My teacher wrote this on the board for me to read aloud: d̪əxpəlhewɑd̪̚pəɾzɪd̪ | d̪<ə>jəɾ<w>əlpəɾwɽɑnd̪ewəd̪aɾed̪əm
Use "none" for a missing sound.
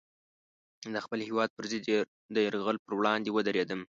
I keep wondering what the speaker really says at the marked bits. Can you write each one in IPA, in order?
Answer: ə, ɣ

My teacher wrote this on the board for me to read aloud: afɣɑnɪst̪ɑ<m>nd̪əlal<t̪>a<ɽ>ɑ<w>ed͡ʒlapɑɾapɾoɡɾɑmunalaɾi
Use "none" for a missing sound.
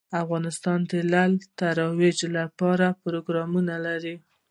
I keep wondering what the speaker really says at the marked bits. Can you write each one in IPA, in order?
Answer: none, t̪, ɾ, w

